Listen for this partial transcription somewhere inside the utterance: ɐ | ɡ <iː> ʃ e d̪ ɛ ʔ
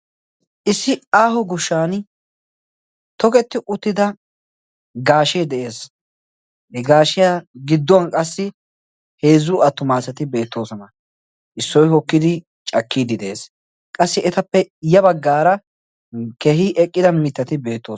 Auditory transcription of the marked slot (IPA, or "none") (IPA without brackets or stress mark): aː